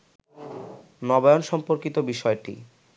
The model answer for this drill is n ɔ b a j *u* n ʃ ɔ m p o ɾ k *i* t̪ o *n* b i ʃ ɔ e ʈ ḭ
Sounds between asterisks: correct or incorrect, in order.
incorrect: o, correct, incorrect: none

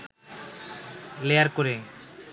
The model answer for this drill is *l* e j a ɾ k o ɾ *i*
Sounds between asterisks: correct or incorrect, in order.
correct, incorrect: e

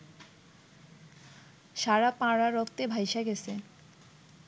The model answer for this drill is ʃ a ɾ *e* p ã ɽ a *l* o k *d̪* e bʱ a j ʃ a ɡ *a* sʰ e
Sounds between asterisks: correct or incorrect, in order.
incorrect: a, incorrect: ɾ, incorrect: t̪, incorrect: e

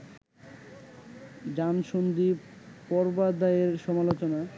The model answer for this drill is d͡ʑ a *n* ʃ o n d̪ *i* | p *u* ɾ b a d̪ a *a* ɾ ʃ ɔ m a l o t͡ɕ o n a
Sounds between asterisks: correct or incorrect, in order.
correct, correct, incorrect: ɔ, incorrect: e

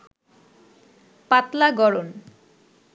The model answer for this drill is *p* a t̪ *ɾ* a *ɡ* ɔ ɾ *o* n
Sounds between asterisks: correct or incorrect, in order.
correct, incorrect: l, correct, correct

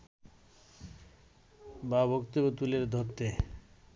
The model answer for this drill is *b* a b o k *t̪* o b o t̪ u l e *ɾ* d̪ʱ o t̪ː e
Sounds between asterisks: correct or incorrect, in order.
correct, correct, correct

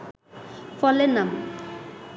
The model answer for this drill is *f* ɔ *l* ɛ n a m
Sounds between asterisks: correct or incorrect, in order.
correct, correct

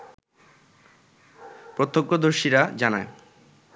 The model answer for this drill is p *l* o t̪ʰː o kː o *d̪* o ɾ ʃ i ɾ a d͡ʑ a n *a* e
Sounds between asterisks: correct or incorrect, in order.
incorrect: ɾ, correct, correct

